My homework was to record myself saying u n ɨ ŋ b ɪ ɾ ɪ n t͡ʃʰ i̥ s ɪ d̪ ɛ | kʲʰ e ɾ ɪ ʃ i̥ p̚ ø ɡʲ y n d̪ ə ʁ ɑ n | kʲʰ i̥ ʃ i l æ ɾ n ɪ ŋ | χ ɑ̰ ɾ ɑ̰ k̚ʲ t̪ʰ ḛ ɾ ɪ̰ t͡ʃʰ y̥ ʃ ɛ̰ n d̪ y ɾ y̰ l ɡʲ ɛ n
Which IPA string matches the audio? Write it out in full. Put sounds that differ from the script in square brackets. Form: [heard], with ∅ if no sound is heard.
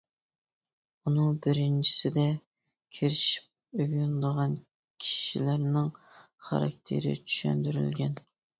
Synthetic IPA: u n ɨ ŋ b ɪ ɾ ɪ n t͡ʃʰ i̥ s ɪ d̪ ɛ | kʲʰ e ɾ ɪ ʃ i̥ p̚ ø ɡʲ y n d̪ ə ʁ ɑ n | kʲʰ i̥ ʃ i l æ ɾ n ɪ ŋ | χ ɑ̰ ɾ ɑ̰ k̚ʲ t̪ʰ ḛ ɾ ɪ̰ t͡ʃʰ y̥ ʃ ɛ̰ n d̪ y ɾ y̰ l ɡʲ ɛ n